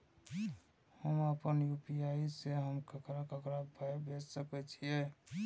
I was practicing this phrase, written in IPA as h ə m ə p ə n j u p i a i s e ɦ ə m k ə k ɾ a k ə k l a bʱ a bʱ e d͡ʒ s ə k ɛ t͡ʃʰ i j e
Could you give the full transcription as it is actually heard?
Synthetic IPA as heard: h ə m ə p ə n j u p i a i s e ɦ ə m k ə k ɾ a k ə k ɾ a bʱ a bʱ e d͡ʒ s ə k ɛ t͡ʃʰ i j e

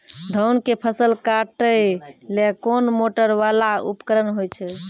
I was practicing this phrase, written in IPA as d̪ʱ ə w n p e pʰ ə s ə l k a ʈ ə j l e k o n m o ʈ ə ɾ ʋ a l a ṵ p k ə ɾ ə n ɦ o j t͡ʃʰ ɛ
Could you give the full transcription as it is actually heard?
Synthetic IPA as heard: d̪ʱ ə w n k e pʰ ə s ə l k a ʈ ə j l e k o n m o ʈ ə ɾ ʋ a l a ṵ p k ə ɾ ə n ɦ o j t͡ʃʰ ɛ

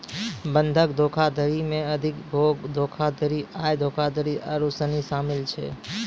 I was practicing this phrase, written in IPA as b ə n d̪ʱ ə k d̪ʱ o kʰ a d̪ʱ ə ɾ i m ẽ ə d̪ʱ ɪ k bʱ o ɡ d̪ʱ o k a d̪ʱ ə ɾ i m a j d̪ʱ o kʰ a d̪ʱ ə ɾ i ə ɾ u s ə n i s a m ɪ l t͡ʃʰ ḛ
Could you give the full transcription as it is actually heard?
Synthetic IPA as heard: b ə n d̪ʱ ə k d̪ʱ o kʰ a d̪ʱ ə ɾ i m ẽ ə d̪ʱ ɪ k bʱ o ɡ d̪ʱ o kʰ a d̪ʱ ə ɾ i a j d̪ʱ o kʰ a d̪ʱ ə ɾ i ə ɾ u s ə n i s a m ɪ l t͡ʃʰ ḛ

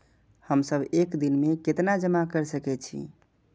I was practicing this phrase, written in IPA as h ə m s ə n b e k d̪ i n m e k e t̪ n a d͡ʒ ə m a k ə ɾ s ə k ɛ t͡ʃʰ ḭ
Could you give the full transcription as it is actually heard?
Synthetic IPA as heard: h ə m s ə b e k d̪ i n m e k e t̪ n a d͡ʒ ə m a k ə ɾ s ə k ɛ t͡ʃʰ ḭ

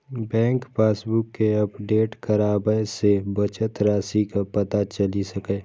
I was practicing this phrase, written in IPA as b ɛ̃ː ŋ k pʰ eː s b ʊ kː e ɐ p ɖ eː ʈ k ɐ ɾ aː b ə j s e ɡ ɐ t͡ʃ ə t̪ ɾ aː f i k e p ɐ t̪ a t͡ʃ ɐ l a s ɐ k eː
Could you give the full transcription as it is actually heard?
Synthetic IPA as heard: b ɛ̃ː ŋ k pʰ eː s b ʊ kː e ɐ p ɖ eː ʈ k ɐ ɾ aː b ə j s e b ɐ t͡ʃ ə t̪ ɾ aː s i k a p ɐ t̪ a t͡ʃ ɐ l i s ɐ k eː

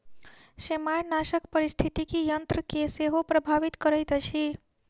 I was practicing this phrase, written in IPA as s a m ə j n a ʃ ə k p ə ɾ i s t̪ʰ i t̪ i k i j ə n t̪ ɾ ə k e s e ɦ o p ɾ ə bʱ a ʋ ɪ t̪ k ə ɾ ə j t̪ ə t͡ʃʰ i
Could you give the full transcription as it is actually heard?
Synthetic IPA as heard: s e m a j n a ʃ ə k p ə ɾ i s t̪ʰ i t̪ i k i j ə n t̪ ɾ ə k e s e ɦ o p ɾ ə bʱ a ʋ i t̪ k ə ɾ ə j t̪ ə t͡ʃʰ i

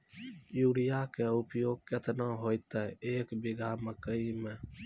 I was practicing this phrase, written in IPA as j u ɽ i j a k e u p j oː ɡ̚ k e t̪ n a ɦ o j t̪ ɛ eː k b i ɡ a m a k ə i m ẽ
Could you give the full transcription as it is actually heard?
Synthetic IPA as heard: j u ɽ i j a k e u p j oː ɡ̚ k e t̪ n a ɦ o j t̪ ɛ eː k b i ɡ a m ə k ə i m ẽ

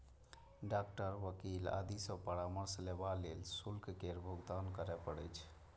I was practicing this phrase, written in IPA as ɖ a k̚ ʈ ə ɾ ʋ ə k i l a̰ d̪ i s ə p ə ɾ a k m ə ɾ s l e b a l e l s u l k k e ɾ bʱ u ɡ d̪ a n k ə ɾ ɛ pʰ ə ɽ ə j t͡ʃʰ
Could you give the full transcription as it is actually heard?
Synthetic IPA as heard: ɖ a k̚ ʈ ə ɾ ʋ ə k i l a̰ d̪ i s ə p ə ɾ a m ə ɾ s l e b a l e l s u l k k e ɾ bʱ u ɡ d̪ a n k ə ɾ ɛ p ə ɽ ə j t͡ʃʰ

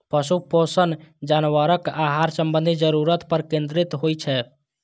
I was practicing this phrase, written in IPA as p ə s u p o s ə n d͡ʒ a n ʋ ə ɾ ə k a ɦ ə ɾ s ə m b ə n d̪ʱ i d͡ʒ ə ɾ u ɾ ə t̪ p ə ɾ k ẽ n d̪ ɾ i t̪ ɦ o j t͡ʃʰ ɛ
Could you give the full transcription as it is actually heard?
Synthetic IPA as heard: p ə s u p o s ə n d͡ʒ a n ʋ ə ɾ ə k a ɦ a ɾ s ə m b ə n d̪ʱ i d͡ʒ ə ɾ u ɾ ə t̪ p ə ɾ k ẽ n d̪ ɾ i t̪ ɦ o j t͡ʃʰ ɛ

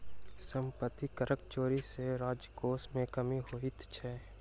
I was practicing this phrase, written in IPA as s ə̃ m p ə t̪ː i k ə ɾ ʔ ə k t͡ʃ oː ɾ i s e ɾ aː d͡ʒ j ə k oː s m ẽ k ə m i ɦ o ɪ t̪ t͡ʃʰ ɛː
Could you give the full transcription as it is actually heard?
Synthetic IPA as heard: s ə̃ m p ə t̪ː i k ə ɾ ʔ ə k t͡ʃ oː ɾ i s e ɾ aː d͡ʒ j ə k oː s m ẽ k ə m i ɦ o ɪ t̪ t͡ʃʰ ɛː

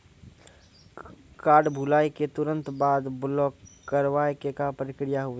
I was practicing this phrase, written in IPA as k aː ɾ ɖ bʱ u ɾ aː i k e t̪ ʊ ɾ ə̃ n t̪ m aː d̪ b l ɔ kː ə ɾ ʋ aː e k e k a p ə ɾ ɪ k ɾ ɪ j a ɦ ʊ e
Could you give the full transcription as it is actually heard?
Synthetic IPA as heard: k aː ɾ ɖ bʱ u l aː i k e t̪ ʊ ɾ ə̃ n t̪ b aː d̪ b l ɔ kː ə ɾ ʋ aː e k e k a p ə ɾ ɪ k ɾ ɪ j a ɦ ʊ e

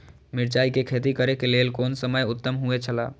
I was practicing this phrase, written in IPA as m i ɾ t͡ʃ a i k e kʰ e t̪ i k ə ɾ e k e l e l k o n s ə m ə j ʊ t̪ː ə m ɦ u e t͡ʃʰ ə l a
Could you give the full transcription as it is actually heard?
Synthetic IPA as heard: m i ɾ t͡ʃ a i k e kʰ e t̪ i k ə ɾ e k e l e l k o n s ə m ə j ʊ t̪ː ə m ɦ u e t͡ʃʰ ə l a

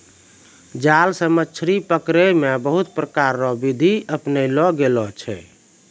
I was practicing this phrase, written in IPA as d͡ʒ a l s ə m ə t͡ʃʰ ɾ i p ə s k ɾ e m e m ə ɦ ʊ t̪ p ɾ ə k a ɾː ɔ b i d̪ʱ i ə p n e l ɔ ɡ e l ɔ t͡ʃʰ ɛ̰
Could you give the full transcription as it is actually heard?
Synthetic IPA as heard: d͡ʒ a l s ə m ə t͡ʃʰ ɾ i p ə k ɾ e m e b ə ɦ u t̪ p ɾ ə k a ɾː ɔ b i d̪ʱ i ə p n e l ɔ ɡ e l ɔ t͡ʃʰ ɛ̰

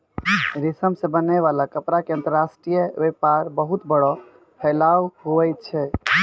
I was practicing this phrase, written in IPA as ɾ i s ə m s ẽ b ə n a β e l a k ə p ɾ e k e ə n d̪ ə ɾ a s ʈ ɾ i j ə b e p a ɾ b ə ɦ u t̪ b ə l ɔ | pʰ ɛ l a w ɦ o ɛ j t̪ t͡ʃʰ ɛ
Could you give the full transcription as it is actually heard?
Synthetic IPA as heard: ɾ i s ə m s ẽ b ə n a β a l a k ə p ɾ a k e ə n t̪ ə ɾ a s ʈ ɾ i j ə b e p a ɾ b ə ɦ u t̪ b ə ɽ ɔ | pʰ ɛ l a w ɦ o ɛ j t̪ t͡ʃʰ ɛ

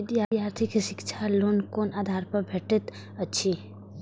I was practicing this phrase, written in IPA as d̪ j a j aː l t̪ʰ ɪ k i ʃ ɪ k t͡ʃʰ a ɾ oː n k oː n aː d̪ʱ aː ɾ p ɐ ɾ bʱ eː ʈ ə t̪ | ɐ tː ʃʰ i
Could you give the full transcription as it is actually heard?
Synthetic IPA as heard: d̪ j a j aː ɾ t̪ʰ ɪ k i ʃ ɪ k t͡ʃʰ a l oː n k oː n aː d̪ʱ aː ɾ p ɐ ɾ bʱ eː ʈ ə t̪ | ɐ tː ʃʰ i

